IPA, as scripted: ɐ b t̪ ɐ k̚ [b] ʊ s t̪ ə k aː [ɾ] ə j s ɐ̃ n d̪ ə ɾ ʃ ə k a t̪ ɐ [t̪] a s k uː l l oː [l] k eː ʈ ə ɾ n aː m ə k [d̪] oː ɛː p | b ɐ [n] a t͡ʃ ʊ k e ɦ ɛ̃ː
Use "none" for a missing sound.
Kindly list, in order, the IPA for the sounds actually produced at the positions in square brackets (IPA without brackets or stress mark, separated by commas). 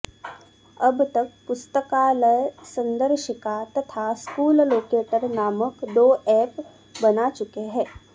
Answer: p, l, t̪ʰ, none, d̪, n